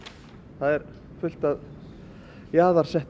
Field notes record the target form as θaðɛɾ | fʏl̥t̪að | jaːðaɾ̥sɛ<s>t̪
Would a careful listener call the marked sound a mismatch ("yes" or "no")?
yes